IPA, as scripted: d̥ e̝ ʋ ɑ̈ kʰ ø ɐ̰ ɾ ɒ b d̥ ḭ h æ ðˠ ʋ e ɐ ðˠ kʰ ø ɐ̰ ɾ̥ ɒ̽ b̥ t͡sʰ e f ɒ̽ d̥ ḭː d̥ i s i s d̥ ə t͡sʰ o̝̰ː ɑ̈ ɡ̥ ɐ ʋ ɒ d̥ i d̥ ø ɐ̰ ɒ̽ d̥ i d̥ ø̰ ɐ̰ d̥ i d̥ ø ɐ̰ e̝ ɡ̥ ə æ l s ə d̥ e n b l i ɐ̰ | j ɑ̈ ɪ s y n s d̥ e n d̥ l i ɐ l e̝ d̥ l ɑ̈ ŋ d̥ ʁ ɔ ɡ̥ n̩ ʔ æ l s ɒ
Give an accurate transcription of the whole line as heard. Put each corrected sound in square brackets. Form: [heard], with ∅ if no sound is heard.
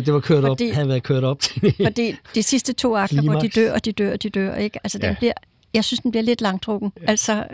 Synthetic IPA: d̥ e̝ ʋ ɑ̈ kʰ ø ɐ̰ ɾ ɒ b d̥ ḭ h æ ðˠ ʋ [æ] ɐ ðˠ kʰ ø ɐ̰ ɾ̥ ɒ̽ b̥ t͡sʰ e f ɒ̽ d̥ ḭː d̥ i s i s d̥ ə t͡sʰ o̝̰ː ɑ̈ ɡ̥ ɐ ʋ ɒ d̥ i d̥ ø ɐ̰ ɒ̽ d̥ i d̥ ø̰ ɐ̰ d̥ i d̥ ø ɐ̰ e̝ ɡ̥ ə æ l s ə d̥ e n b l i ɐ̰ | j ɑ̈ ɪ s y n s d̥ e n [b̥] l i ɐ l e̝ d̥ l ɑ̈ ŋ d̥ ʁ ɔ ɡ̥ n̩ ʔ æ l s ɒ